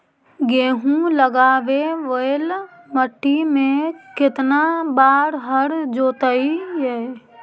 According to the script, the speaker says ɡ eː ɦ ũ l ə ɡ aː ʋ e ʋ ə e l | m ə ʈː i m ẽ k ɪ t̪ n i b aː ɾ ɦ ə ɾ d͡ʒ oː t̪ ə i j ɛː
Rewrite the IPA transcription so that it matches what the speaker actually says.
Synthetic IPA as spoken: ɡ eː ɦ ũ l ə ɡ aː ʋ e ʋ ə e l | m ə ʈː i m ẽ k ɪ t̪ n a b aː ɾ ɦ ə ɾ d͡ʒ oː t̪ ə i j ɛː